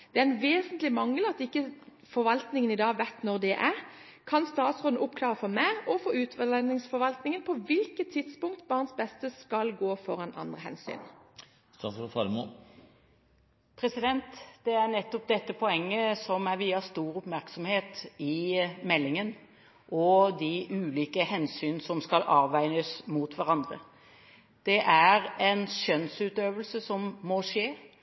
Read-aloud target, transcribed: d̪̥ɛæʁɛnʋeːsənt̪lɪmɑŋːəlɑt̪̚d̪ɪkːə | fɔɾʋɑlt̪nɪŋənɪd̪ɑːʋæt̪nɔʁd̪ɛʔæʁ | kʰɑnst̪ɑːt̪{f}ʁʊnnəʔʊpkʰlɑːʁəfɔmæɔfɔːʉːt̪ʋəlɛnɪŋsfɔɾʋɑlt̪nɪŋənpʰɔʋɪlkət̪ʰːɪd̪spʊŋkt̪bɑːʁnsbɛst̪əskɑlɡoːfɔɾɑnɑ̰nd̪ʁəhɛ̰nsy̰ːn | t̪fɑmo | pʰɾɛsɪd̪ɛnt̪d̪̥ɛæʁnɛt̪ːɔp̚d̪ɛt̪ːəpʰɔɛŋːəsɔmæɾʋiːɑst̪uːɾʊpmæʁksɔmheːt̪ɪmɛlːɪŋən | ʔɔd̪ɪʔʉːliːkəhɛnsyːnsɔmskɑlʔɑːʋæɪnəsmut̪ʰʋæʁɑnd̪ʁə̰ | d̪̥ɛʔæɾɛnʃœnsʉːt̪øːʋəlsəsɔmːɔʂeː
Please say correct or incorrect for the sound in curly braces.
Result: incorrect: s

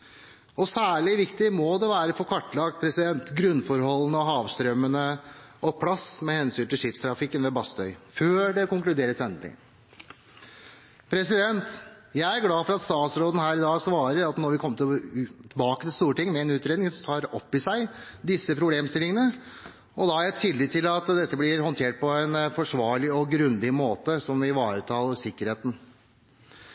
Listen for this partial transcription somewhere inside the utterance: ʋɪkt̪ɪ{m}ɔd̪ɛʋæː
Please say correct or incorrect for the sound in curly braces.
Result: correct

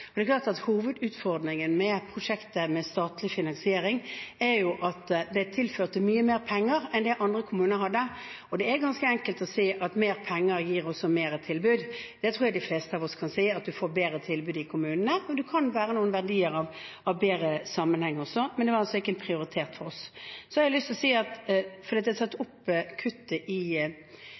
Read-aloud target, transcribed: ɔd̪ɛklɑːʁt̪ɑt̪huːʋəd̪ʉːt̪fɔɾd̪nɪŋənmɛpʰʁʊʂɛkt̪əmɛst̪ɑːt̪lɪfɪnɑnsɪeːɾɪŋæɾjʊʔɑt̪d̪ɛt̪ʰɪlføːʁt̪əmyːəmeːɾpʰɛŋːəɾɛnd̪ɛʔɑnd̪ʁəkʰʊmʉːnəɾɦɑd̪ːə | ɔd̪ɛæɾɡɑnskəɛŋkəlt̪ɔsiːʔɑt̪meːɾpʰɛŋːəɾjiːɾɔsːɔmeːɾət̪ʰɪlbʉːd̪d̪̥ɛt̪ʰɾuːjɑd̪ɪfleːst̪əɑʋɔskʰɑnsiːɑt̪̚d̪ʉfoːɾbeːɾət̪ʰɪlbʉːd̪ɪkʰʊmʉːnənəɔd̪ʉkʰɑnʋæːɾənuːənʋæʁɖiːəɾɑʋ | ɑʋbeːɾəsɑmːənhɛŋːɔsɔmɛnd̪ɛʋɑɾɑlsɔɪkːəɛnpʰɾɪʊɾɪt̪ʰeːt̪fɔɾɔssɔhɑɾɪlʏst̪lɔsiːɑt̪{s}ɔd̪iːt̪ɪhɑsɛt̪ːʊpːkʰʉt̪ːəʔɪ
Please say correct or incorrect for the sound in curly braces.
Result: incorrect: f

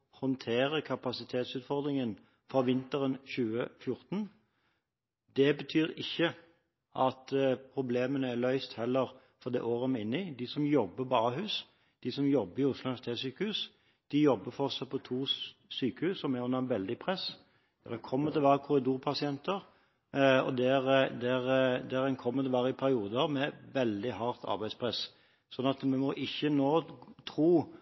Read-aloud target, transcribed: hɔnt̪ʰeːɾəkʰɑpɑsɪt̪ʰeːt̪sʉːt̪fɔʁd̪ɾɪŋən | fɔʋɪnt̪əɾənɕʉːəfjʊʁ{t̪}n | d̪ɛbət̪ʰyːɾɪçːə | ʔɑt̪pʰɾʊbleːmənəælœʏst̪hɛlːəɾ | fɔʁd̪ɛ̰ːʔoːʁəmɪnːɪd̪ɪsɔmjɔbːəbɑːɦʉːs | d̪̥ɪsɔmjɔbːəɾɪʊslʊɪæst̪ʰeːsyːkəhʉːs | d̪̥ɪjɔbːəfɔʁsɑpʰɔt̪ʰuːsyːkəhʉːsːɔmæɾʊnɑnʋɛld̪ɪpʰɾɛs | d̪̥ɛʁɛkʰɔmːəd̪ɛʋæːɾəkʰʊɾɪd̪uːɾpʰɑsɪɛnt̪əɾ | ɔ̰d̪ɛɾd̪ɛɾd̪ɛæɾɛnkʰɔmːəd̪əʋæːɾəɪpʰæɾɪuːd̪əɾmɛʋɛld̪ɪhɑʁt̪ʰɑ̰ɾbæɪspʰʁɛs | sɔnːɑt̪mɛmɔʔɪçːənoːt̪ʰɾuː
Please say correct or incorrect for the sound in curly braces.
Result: correct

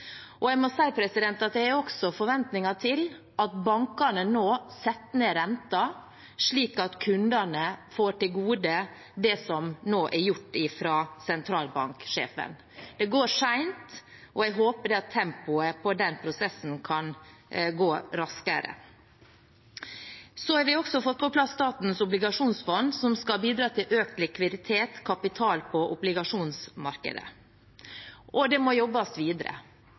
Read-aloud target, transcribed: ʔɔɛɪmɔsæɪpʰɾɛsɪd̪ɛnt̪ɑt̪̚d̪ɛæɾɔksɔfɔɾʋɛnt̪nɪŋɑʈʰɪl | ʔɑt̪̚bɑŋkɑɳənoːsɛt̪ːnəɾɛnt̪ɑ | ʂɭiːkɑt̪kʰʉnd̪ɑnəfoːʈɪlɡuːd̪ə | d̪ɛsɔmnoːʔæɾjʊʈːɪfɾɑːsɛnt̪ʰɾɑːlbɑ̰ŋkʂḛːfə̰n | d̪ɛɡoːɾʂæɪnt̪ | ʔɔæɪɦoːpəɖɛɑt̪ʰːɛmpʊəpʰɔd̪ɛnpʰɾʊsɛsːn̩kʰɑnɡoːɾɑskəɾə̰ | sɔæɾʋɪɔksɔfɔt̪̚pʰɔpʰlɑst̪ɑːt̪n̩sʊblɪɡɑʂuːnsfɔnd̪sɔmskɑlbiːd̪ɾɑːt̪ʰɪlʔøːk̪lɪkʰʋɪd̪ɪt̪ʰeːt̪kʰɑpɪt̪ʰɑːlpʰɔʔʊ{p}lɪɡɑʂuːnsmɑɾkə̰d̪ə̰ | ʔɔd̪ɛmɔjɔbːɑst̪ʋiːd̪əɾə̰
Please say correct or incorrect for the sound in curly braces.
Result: incorrect: b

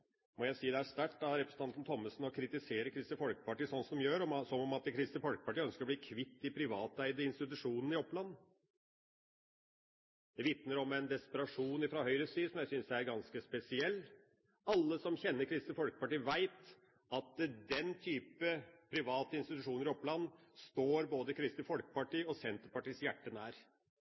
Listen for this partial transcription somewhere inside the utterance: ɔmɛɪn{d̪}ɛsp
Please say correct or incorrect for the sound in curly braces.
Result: correct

